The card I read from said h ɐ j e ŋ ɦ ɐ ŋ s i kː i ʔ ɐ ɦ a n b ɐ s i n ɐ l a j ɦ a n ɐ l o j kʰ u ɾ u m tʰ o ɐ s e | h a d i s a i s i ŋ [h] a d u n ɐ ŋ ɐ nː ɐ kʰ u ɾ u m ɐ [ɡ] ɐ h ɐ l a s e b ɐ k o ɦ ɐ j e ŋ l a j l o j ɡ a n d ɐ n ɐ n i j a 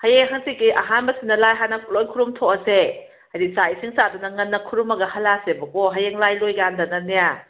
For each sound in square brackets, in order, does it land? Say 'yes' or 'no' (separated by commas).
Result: no, yes